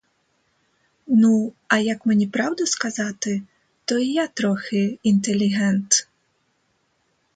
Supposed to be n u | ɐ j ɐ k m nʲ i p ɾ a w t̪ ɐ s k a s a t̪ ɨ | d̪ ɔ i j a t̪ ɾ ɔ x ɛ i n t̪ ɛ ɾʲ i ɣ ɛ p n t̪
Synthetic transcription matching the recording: n u | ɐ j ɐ k m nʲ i p ɾ a w d̪ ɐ s k a z a t̪ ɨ | t̪ ɔ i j a t̪ ɾ ɔ x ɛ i n t̪ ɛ lʲ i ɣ ɛ n t̪